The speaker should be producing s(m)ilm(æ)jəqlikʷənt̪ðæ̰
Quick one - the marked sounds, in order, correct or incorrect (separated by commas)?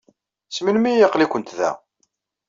correct, incorrect